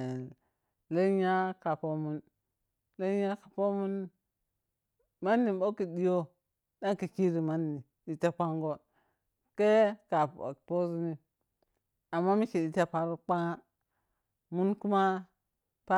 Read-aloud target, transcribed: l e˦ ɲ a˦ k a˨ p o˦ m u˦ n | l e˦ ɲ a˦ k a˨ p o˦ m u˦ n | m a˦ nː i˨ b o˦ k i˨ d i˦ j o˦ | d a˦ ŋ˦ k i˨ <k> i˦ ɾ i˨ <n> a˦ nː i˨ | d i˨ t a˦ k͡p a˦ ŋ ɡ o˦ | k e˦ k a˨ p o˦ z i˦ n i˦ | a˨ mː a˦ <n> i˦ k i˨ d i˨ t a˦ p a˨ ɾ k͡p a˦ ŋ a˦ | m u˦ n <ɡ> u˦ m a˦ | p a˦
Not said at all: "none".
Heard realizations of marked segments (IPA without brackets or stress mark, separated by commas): k, m, m, k